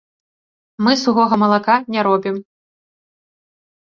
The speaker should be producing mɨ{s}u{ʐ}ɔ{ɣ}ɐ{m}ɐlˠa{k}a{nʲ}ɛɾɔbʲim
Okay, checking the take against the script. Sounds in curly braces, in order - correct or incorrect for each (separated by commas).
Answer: correct, incorrect, correct, correct, correct, correct